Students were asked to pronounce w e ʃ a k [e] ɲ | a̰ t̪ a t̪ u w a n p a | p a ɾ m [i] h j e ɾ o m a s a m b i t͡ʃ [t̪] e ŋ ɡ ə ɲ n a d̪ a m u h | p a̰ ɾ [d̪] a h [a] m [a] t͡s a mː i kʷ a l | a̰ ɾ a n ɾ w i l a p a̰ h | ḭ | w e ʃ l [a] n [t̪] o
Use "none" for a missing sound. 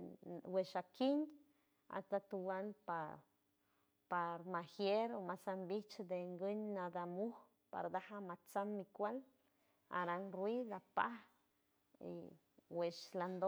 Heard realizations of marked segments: i, a, d̪, d̪, a, a, a, d̪

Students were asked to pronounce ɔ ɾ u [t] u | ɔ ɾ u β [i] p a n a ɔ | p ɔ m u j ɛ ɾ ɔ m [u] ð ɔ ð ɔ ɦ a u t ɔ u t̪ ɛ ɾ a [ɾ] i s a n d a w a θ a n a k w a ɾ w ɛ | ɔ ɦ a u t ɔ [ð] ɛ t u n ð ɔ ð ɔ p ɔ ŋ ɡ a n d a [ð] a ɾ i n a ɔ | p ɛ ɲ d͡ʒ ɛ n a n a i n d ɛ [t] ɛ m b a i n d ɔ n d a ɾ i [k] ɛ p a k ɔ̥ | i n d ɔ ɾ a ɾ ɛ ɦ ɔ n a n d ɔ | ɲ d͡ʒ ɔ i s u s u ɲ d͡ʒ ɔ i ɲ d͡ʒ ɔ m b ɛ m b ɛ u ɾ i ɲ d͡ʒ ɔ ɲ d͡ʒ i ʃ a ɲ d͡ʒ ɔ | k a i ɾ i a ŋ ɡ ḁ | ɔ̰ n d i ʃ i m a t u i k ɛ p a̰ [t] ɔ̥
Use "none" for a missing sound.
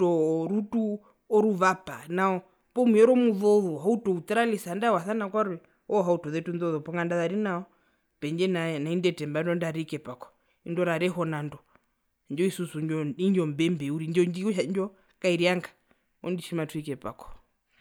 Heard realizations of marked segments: t, a, u, l, ð, ð, t, k, k

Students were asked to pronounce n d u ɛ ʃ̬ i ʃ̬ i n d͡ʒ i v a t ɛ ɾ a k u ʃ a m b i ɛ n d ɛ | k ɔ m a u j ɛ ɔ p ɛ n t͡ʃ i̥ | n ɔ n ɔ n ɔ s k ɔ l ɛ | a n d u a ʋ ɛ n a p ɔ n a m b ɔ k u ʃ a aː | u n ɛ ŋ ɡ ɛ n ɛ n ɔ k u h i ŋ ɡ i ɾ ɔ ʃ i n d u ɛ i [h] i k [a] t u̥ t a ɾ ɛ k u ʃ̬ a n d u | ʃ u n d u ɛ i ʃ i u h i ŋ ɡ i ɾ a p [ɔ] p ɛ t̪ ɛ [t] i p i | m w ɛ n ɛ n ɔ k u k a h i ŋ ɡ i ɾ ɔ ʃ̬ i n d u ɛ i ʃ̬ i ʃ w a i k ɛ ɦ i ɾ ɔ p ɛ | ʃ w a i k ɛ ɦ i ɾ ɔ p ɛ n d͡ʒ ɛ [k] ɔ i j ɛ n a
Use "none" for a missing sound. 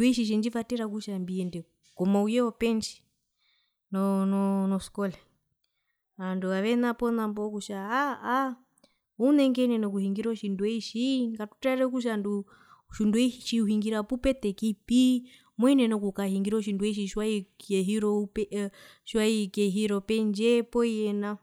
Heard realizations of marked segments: ʃ, a, u, k, p

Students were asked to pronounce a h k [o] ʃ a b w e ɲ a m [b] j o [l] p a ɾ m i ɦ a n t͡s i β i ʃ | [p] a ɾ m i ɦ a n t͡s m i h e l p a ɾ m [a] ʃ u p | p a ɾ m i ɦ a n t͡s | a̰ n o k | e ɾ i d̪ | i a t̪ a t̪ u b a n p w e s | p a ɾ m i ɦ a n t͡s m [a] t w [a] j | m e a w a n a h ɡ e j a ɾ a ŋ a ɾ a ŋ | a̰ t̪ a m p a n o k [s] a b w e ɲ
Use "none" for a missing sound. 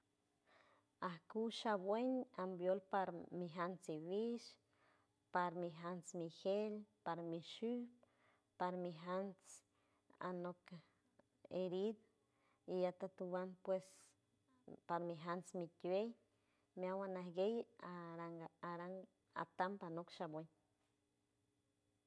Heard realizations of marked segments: u, b, l, p, i, i, e, ʃ

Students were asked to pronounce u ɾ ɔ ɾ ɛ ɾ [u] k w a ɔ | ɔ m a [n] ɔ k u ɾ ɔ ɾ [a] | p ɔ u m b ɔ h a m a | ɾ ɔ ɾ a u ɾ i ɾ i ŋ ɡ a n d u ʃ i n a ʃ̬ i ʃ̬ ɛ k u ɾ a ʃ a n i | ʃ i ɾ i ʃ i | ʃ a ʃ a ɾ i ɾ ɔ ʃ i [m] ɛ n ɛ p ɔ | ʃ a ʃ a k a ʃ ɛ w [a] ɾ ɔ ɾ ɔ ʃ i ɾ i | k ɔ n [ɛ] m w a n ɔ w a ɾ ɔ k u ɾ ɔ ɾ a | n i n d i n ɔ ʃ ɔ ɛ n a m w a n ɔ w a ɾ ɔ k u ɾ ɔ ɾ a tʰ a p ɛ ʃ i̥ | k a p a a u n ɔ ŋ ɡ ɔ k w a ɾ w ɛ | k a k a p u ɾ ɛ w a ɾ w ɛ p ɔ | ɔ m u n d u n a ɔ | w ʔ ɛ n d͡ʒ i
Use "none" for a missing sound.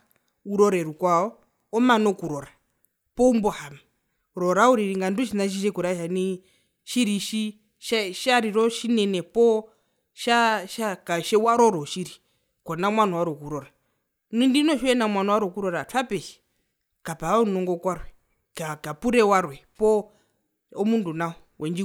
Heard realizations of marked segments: u, n, a, n, a, a

